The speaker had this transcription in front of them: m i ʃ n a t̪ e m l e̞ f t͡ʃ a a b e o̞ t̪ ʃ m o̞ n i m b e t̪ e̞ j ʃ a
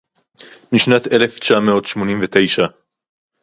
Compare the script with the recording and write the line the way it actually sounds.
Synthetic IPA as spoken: m i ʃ n a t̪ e l e̞ f t͡ʃ a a m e o̞ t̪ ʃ m o̞ n i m v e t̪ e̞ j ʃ a